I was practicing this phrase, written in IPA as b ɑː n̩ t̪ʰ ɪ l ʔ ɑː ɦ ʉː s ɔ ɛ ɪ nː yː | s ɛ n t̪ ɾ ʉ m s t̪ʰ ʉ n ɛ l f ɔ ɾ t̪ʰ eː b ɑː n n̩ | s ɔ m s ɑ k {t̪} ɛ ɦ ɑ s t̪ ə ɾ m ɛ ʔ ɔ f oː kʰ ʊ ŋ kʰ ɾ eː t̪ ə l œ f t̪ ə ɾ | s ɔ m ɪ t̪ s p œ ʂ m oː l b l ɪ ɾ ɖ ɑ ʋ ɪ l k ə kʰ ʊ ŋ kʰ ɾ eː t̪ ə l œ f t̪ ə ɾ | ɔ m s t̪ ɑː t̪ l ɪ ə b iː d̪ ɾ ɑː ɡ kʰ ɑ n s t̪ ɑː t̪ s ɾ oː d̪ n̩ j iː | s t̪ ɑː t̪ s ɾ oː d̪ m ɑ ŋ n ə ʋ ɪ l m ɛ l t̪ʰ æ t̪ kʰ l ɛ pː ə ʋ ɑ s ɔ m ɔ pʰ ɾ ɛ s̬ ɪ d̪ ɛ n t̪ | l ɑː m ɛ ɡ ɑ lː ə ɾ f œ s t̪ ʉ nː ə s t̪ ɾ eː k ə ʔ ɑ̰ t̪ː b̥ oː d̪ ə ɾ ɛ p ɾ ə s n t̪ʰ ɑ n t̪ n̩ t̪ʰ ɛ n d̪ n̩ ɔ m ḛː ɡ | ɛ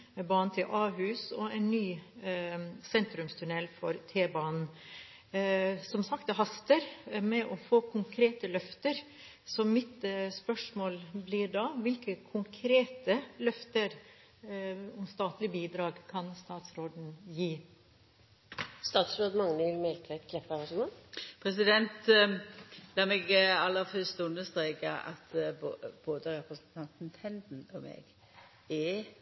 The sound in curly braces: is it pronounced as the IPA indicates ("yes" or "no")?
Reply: yes